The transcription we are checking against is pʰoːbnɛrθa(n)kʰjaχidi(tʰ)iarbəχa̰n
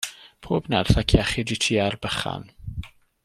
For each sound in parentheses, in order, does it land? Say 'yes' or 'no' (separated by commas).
no, yes